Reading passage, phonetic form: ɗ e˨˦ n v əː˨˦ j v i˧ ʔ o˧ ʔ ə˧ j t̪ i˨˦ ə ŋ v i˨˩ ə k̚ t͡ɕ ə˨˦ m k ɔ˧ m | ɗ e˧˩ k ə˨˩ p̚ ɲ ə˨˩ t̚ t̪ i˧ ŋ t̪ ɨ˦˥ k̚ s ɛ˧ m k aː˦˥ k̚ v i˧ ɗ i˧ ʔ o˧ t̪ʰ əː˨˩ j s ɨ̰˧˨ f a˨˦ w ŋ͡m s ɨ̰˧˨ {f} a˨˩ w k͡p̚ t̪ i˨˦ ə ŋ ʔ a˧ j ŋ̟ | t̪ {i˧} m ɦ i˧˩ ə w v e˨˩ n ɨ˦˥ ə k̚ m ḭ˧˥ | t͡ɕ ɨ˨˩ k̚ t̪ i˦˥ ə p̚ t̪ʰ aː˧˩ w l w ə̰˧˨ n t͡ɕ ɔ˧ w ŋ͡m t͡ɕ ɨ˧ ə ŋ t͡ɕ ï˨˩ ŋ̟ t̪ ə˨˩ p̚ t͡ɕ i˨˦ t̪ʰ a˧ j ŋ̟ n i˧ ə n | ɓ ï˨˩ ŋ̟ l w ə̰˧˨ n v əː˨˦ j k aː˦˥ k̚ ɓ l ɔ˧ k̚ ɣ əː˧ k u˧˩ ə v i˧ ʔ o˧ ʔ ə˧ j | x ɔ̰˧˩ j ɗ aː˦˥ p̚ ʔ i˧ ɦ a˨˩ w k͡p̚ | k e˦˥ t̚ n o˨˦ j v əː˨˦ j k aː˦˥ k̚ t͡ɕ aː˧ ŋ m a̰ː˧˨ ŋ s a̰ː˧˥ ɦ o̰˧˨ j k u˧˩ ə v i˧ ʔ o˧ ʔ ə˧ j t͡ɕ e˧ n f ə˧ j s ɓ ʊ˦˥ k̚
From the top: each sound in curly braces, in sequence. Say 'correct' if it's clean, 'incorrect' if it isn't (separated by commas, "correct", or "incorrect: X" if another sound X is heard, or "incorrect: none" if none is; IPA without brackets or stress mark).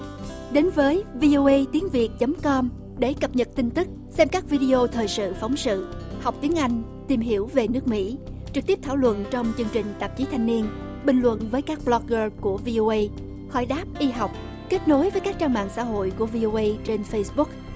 incorrect: h, incorrect: i˨˩